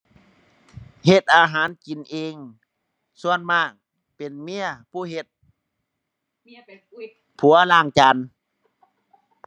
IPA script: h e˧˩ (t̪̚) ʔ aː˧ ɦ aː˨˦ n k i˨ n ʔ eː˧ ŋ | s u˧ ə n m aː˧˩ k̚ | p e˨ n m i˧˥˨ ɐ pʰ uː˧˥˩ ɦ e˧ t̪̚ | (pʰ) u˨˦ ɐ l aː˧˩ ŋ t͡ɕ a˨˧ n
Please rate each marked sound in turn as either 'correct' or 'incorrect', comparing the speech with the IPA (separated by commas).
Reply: correct, correct